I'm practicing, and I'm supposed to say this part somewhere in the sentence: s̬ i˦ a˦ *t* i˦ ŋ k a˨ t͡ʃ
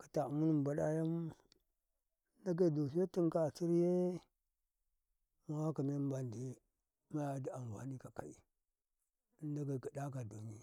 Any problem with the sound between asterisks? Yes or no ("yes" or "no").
no